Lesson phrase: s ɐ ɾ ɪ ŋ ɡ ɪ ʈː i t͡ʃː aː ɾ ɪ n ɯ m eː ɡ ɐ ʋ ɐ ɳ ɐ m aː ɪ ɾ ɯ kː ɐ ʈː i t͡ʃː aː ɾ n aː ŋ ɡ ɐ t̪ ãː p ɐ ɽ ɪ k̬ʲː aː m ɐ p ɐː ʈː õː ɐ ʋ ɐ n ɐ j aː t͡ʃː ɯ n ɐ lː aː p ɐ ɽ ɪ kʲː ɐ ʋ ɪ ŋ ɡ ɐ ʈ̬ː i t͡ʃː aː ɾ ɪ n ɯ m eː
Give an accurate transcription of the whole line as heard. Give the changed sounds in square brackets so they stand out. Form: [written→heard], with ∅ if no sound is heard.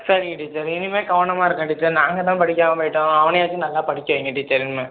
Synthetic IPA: s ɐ ɾ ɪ ŋ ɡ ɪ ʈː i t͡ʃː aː ɾ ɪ n ɯ m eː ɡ ɐ ʋ ɐ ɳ ɐ m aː ɪ ɾ ɯ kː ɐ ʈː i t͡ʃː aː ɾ n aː ŋ ɡ ɐ t̪ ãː p ɐ ɽ ɪ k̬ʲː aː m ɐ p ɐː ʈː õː ɐ ʋ ɐ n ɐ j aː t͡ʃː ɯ n ɐ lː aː p ɐ ɽ ɪ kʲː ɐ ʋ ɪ ŋ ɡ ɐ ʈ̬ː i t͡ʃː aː ɾ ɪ n ɯ m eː